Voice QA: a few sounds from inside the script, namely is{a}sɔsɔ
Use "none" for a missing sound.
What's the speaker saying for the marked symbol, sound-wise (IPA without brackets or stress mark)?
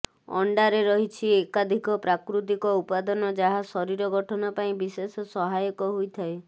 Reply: e